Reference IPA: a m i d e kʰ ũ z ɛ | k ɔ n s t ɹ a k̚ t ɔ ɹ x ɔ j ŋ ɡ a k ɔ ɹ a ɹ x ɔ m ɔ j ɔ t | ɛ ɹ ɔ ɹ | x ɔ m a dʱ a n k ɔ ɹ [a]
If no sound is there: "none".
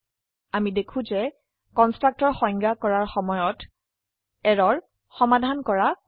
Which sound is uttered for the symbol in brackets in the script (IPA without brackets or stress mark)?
a